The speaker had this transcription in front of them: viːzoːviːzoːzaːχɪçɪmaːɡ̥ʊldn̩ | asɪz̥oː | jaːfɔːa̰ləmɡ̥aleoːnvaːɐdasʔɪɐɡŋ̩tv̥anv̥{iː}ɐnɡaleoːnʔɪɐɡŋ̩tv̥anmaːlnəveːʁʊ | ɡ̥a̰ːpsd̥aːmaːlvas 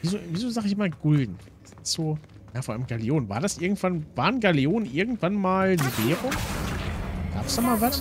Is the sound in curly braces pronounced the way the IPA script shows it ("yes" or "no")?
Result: no